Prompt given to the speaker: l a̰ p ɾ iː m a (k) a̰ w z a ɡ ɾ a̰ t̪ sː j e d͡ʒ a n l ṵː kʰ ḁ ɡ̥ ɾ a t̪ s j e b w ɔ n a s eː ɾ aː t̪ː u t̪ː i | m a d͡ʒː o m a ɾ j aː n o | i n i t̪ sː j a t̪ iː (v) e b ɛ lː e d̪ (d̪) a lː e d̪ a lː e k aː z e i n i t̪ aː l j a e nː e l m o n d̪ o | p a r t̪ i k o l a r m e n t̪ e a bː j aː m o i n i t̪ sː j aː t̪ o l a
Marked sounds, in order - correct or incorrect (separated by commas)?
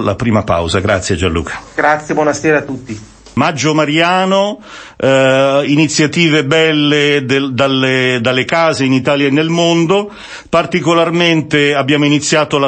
incorrect, correct, correct